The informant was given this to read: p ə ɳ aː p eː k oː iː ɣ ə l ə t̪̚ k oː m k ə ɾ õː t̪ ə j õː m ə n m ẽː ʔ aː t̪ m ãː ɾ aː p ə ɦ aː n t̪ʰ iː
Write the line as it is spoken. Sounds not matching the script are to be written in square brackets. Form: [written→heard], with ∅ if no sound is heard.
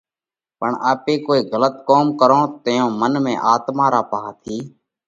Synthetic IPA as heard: p ə ɳ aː p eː k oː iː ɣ ə l ə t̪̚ k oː m k ə ɾ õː t̪ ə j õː m ə n m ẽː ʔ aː t̪ m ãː ɾ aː p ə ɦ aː [n→∅] t̪ʰ iː